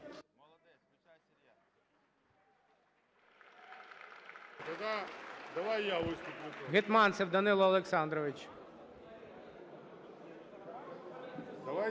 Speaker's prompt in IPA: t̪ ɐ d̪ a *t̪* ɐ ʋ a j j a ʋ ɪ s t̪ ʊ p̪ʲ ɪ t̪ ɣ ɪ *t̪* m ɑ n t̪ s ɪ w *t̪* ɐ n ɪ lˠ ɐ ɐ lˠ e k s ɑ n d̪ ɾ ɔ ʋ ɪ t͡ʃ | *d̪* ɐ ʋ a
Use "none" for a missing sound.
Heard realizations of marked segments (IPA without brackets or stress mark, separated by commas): d̪, t̪, d̪, d̪